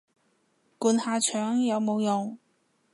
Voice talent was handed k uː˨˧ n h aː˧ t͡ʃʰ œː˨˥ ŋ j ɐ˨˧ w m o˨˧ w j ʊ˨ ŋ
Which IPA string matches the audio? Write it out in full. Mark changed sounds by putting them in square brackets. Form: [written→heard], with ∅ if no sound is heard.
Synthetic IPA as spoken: k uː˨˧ n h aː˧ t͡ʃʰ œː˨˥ ŋ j ɐ˨˧ w m o˨˧ w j ʊ˨ ŋ